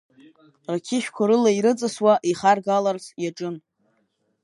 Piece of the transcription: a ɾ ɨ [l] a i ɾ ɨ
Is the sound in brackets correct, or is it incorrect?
correct